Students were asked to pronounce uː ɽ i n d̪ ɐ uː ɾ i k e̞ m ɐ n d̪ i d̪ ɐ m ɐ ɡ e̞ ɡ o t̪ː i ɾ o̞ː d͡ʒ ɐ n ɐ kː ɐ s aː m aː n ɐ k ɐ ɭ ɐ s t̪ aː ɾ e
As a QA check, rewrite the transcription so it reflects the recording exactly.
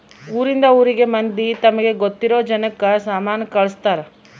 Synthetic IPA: uː ɾ i n d̪ ɐ uː ɾ i ɡ e̞ m ɐ n d̪ i t̪ ɐ m ɐ ɡ e̞ ɡ o t̪ː i ɾ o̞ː d͡ʒ ɐ n ɐ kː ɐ s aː m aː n ɐ k ɐ ɭ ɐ s t̪ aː ɾ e